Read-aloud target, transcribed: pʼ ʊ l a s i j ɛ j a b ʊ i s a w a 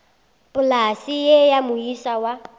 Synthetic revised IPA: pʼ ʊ l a s i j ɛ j a m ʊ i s a w a